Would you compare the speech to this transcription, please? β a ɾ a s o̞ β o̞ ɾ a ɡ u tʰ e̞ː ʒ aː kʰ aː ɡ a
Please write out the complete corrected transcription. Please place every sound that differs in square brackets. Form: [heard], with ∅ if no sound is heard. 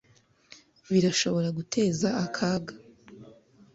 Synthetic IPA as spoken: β [i] ɾ a [ʃ] o̞ β o̞ ɾ a ɡ u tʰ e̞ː [z] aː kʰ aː ɡ a